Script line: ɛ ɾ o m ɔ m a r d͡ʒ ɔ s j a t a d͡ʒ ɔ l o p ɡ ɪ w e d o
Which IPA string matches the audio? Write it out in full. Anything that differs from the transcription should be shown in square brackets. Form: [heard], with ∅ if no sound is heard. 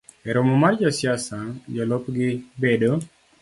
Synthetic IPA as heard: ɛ ɾ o m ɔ m a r d͡ʒ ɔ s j a [s] a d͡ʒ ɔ l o p ɡ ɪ [b] e d o